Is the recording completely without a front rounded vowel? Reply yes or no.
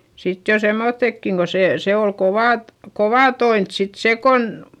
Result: yes